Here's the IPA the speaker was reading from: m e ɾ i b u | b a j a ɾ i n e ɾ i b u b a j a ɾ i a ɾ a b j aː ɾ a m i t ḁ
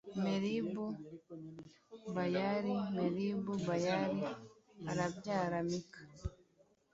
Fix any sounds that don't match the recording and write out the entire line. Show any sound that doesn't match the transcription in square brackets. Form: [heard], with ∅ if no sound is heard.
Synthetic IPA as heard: m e ɾ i b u | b a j a ɾ i [m] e ɾ i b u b a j a ɾ i a ɾ a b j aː ɾ a m i [k] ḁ